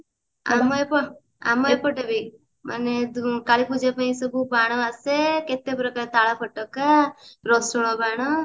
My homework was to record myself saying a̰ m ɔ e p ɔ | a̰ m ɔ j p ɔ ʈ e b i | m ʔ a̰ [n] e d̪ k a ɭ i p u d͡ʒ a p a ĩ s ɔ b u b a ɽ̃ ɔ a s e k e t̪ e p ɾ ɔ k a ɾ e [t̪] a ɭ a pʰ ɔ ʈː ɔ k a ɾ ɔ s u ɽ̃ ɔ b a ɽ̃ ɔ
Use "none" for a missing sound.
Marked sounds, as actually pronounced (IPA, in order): n, t̪

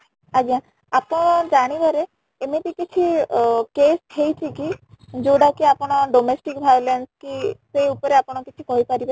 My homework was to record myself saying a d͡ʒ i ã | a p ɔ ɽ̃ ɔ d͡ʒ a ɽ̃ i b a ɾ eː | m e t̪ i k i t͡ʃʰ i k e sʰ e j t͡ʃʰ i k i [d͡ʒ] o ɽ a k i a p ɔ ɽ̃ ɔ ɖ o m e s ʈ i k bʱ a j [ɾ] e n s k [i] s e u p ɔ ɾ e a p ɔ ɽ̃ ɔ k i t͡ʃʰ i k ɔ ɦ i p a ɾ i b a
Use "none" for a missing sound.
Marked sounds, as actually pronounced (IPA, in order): d͡ʒ, l, i

